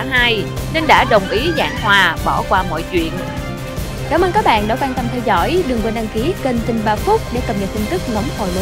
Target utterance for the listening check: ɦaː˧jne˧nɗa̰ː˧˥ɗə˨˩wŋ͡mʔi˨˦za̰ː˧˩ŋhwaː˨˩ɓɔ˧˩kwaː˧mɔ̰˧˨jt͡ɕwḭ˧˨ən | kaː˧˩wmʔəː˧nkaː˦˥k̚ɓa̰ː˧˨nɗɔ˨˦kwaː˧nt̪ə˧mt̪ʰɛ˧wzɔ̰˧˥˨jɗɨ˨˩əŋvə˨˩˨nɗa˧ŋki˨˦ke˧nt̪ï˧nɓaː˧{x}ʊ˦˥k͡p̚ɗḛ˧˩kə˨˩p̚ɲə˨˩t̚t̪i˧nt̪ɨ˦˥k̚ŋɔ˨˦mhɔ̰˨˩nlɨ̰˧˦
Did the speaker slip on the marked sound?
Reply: yes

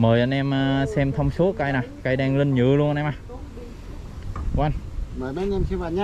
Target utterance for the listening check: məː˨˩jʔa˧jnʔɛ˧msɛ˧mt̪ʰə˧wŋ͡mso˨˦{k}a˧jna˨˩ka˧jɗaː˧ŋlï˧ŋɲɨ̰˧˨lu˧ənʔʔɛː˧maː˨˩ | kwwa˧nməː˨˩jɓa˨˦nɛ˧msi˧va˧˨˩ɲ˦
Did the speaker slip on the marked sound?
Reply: no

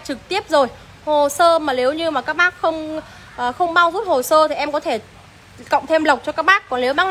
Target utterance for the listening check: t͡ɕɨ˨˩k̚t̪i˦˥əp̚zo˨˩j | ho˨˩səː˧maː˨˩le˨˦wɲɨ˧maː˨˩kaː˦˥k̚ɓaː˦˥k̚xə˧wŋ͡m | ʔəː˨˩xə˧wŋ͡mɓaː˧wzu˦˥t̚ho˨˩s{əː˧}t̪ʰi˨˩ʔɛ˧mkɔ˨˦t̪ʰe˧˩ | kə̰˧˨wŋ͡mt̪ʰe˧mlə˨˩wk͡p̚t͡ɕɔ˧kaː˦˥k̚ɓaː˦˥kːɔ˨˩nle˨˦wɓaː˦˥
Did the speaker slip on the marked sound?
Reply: no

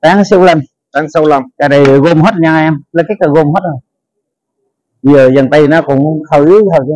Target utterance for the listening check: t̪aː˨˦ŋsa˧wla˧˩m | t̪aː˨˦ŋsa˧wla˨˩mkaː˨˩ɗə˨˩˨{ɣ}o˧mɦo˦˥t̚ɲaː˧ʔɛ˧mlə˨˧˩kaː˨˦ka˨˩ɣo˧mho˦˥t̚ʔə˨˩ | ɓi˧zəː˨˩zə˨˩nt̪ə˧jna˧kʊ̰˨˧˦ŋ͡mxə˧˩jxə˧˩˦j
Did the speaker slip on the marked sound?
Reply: no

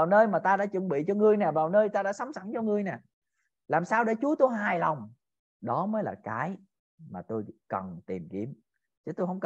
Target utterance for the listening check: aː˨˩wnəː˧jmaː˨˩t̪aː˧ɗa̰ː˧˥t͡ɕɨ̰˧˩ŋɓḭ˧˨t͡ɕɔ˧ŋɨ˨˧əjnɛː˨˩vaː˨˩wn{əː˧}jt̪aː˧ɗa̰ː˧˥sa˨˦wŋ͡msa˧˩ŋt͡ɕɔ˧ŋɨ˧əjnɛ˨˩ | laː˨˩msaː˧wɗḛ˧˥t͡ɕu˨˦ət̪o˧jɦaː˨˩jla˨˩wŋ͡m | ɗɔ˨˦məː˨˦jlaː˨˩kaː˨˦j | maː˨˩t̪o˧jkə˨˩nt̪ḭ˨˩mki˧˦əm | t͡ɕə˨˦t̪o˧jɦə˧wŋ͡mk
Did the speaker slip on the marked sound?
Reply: no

